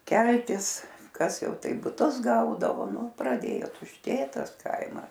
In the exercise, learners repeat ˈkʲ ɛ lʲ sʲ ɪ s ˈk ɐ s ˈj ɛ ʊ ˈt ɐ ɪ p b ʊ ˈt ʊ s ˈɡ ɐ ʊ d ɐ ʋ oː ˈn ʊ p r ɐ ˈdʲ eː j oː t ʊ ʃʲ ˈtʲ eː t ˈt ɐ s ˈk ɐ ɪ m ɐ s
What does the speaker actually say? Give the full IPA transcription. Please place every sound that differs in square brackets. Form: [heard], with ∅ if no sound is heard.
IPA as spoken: ˈkʲ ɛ lʲ [tʲ] ɪ s ˈk ɐ s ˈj ɛ ʊ ˈt ɐ ɪ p b ʊ ˈt ʊ s ˈɡ ɐ ʊ d ɐ ʋ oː ˈn ʊ p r ɐ ˈdʲ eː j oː t ʊ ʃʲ ˈtʲ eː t ˈt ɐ s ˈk ɐ ɪ m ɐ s